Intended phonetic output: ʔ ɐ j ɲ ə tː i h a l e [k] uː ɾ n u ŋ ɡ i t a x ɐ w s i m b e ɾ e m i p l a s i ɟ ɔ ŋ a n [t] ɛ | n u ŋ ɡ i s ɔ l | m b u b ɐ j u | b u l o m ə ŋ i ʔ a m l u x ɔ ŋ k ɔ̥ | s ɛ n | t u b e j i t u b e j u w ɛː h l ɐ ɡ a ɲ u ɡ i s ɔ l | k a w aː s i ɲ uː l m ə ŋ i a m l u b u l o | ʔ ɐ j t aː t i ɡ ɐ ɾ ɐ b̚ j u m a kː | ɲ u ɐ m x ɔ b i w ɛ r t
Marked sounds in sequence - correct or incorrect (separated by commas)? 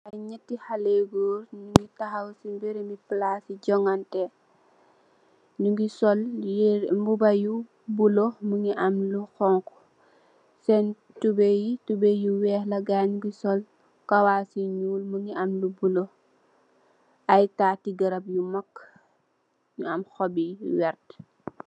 incorrect, correct